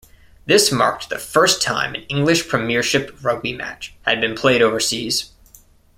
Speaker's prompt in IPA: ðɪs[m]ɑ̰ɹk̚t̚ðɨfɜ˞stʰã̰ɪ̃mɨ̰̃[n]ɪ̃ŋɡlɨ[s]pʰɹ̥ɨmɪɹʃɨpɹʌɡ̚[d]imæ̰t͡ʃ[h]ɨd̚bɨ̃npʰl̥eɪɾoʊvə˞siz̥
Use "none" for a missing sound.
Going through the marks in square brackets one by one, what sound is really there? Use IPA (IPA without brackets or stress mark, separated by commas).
m, n, ʃ, b, h